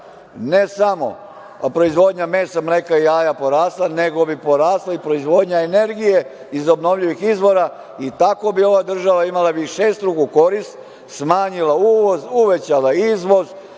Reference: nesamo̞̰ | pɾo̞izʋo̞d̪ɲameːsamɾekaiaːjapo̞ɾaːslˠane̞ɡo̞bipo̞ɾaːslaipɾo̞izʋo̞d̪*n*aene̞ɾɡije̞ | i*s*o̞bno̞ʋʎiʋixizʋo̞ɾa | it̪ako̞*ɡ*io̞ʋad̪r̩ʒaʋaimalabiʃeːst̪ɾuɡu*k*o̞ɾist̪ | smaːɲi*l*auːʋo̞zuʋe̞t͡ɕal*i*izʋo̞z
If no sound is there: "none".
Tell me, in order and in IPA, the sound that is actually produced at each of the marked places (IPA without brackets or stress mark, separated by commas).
ɲ, z, b, k, l, a